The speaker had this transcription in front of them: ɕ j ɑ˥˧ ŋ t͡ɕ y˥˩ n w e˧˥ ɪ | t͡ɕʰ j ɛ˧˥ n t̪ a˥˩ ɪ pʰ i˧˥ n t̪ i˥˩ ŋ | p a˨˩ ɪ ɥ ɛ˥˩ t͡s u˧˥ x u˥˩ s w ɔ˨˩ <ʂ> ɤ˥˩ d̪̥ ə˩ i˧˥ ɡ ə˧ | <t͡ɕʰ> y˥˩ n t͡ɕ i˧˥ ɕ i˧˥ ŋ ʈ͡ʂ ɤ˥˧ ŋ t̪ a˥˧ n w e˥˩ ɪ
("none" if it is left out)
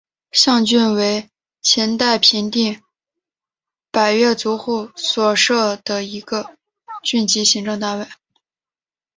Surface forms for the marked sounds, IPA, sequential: ʂ, t͡ɕ

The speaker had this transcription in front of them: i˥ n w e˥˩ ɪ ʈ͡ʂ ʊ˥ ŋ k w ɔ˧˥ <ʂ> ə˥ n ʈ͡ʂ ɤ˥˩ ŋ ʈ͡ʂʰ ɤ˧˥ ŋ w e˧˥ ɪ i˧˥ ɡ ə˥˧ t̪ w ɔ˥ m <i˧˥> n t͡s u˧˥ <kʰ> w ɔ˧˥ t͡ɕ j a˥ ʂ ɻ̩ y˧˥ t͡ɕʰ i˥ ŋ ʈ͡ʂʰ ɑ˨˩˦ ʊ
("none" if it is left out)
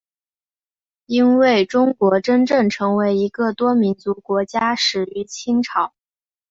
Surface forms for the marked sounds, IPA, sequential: ʈ͡ʂ, i˧˥, k

